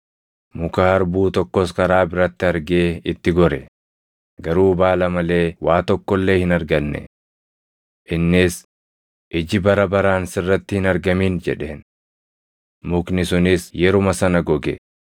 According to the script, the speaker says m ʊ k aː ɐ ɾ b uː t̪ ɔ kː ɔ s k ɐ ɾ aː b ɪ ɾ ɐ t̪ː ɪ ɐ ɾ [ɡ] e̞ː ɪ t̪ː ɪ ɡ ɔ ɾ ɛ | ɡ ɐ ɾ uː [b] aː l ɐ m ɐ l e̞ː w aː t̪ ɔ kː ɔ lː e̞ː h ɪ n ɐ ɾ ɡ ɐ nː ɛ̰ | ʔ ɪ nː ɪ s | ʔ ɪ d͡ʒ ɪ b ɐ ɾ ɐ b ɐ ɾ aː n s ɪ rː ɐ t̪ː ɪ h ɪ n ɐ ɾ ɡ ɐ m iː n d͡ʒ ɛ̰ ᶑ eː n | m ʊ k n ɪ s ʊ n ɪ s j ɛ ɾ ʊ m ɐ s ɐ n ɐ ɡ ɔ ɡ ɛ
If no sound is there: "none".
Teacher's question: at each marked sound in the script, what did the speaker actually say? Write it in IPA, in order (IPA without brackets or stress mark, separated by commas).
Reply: ɡ, b